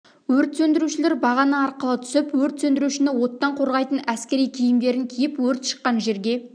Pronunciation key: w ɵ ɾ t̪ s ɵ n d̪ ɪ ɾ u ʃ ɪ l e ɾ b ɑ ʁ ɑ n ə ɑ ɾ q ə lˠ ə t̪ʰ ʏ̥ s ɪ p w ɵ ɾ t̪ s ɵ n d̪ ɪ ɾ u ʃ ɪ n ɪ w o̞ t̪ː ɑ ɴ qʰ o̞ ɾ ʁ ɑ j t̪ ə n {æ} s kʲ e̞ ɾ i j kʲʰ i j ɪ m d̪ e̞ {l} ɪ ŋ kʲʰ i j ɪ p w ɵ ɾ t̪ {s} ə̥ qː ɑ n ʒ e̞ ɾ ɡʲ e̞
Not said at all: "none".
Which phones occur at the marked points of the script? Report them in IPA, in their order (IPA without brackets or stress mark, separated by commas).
æ, ɾ, ʃ